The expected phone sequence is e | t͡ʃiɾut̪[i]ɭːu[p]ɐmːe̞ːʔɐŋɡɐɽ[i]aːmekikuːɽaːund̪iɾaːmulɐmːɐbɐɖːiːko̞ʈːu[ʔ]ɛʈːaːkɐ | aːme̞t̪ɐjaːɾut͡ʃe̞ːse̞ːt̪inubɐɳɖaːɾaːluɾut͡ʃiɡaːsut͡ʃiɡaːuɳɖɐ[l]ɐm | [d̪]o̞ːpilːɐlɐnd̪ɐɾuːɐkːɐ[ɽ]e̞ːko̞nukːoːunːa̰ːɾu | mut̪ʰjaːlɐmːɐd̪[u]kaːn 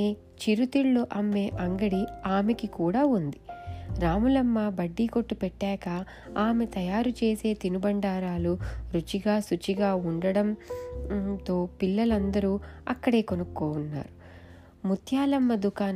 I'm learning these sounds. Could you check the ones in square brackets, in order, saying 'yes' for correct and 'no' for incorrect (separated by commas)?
yes, no, yes, no, no, no, yes, yes